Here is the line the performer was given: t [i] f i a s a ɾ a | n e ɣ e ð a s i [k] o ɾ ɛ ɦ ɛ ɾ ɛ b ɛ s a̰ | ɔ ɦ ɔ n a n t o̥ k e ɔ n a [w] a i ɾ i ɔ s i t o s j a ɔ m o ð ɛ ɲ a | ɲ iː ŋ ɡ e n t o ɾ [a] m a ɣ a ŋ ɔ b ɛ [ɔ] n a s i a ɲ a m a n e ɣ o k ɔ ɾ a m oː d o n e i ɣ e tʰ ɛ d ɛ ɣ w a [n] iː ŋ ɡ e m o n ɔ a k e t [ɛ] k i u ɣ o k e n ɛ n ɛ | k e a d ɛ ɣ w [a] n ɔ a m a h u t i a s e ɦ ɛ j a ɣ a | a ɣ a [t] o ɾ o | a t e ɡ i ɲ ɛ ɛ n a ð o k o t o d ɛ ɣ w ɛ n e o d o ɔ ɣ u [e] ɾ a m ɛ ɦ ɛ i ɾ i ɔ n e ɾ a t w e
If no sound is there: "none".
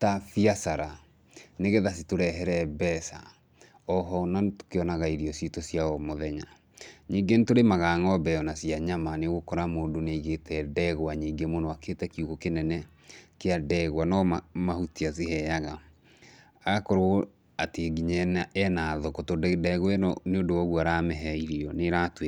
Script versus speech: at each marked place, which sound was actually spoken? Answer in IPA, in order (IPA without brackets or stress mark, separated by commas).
a, t, ɣ, e, ɔ, ɲ, ɛ, a, k, a